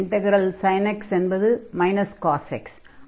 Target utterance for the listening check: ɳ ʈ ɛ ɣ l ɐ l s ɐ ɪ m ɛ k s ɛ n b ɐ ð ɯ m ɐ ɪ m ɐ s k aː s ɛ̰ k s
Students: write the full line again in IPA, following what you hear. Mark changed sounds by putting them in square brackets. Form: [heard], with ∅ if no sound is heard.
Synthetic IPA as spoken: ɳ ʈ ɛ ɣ [ɾ] ɐ l s ɐ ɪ [n] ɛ k s ɛ n b ɐ ð ɯ m ɐ ɪ [n] ɐ s k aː s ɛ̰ k s